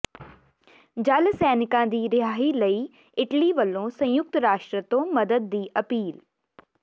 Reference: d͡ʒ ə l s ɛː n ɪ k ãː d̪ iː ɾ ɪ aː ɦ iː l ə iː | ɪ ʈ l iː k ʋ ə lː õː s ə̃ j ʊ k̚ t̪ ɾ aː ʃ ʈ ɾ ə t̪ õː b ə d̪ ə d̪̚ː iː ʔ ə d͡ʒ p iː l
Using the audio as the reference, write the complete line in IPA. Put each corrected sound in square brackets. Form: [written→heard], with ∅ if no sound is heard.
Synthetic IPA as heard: d͡ʒ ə l s ɛː n ɪ k ãː d̪ iː ɾ ɪ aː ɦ iː l ə iː | ɪ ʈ l iː [k→∅] ʋ ə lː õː s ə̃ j ʊ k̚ t̪ ɾ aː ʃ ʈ ɾ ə t̪ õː [b→m] ə d̪ ə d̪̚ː iː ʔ ə [d͡ʒ→∅] p iː l